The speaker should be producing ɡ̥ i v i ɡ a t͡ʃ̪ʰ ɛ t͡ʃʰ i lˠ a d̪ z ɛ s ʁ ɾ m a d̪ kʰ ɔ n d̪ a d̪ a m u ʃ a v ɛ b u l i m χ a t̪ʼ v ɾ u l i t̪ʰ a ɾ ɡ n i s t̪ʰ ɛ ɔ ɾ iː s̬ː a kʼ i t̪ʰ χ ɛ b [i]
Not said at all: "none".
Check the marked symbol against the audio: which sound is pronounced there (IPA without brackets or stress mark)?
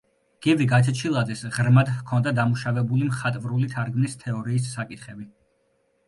i